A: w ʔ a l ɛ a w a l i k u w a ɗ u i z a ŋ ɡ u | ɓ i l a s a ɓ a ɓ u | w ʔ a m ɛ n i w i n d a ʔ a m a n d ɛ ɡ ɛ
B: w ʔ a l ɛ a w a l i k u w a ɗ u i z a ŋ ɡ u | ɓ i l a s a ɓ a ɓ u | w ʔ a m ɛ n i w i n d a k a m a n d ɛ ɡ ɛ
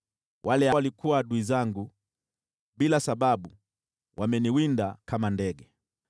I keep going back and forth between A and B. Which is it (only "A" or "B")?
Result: B